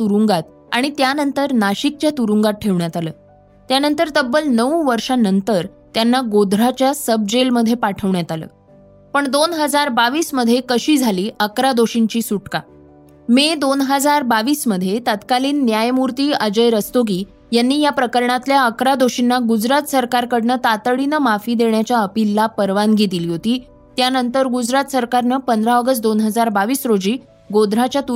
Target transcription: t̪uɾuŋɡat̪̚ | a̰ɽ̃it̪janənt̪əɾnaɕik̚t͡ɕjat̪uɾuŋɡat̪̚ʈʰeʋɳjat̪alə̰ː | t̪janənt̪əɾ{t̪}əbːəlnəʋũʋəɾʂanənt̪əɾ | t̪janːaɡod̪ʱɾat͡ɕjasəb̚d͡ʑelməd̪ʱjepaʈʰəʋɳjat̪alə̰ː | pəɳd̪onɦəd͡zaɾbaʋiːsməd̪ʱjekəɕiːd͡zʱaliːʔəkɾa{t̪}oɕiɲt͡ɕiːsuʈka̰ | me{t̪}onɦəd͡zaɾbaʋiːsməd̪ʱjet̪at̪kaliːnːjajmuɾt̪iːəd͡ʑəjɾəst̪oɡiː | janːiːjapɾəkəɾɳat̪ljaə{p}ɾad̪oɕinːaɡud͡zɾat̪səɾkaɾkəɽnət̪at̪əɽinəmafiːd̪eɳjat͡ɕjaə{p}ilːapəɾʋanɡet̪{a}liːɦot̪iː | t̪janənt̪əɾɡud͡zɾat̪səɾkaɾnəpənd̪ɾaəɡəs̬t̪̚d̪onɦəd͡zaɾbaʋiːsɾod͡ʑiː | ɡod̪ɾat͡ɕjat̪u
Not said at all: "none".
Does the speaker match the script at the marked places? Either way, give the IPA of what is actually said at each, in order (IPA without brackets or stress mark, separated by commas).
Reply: t̪, d̪, d̪, k, p, i